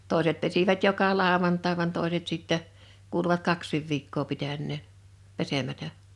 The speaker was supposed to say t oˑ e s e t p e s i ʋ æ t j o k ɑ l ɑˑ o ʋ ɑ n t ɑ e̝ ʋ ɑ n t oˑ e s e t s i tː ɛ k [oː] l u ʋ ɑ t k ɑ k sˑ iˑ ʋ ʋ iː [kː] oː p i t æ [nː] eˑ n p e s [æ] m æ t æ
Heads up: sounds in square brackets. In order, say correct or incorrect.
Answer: incorrect, correct, correct, incorrect

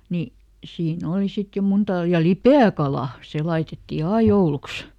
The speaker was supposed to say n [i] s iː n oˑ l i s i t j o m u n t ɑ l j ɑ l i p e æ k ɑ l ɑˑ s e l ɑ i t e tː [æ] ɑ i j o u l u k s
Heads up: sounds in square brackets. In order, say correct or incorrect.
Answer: correct, incorrect

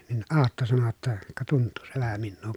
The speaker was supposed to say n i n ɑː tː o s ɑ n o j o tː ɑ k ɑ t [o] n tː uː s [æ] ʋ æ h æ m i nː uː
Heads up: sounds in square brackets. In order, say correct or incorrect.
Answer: incorrect, incorrect

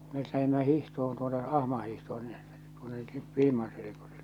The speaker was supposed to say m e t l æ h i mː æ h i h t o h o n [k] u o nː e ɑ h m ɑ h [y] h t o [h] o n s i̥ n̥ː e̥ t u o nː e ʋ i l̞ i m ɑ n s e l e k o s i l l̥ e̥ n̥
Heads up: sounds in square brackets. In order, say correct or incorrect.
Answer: incorrect, incorrect, correct

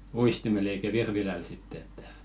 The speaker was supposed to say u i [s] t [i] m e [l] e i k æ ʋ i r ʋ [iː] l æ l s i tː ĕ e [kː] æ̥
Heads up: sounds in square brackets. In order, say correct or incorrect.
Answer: correct, correct, correct, incorrect, incorrect

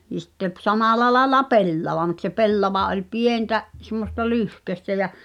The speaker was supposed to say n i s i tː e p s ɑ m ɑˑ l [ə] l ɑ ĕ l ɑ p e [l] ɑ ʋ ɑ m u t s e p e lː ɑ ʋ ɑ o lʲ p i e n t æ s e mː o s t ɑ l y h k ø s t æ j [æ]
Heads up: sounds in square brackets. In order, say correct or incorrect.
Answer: incorrect, incorrect, correct

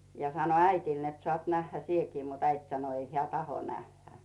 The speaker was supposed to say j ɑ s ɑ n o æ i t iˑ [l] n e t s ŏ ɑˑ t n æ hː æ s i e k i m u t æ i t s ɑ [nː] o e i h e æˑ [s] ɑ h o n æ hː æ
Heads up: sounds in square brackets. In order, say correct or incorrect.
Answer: correct, incorrect, incorrect

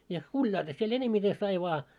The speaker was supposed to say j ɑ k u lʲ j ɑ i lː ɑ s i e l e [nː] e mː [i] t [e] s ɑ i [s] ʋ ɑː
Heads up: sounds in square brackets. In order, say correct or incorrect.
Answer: incorrect, correct, correct, incorrect

